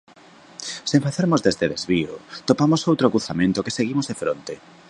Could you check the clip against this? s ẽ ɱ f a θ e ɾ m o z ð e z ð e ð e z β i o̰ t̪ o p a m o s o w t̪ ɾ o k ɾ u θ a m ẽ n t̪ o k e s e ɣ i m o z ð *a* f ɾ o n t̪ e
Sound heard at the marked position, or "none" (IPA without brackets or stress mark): e